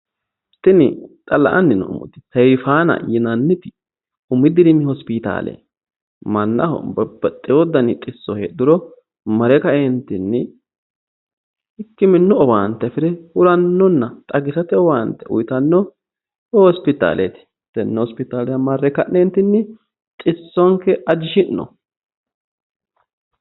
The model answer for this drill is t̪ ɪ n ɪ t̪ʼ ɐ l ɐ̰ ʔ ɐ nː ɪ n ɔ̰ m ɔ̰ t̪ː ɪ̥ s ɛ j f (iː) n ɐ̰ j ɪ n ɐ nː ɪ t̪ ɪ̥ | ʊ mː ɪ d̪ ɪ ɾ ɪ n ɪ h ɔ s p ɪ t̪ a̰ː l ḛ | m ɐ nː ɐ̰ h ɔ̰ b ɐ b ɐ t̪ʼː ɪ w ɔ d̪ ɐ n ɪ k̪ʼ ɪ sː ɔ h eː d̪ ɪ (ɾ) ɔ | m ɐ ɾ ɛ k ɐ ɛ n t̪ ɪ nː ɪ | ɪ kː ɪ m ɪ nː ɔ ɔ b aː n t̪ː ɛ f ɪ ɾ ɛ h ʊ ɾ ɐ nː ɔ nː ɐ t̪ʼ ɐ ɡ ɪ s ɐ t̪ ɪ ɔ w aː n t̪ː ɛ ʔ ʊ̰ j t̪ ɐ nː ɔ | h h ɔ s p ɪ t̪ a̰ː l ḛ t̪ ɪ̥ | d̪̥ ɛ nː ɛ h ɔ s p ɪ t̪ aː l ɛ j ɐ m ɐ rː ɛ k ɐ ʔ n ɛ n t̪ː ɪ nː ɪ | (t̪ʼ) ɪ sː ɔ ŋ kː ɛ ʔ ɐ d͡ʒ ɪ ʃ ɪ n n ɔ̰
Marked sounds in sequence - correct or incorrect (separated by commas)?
incorrect, correct, correct